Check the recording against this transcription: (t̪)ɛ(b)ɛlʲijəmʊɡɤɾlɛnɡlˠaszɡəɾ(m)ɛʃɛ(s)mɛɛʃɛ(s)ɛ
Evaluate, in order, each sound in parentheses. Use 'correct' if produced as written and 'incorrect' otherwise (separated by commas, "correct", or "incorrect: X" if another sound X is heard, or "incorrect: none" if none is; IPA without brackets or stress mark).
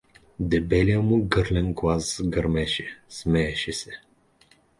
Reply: incorrect: d̪, correct, correct, correct, correct